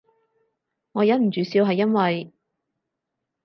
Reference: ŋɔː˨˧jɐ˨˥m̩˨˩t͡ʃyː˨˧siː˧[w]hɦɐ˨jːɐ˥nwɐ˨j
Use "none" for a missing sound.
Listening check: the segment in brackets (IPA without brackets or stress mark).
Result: w